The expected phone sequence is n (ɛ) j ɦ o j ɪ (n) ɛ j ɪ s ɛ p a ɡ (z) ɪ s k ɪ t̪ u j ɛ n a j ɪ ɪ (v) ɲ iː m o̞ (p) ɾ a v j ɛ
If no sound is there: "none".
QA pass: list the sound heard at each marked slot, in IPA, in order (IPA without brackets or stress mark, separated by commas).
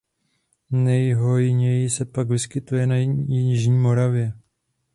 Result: ɛ, ɲ, v, ʒ, none